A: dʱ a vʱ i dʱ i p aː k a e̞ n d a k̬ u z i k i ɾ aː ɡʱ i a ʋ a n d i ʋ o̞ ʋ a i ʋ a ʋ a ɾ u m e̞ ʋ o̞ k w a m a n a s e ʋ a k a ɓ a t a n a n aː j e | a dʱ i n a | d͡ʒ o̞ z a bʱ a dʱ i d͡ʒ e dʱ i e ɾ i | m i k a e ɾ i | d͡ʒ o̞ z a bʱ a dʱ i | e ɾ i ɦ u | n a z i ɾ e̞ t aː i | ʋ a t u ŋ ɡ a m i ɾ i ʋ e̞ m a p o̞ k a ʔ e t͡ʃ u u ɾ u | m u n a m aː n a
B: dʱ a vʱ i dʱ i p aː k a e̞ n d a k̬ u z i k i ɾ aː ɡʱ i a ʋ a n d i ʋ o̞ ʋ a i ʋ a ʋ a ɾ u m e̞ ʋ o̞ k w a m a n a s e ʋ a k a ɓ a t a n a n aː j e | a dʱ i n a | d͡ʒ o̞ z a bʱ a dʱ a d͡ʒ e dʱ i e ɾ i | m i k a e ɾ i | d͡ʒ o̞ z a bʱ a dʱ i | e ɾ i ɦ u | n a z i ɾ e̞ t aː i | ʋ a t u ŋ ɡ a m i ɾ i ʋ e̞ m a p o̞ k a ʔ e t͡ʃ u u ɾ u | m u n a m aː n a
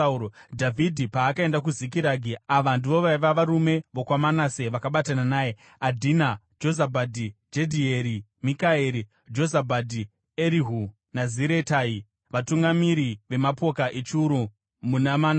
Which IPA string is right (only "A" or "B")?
A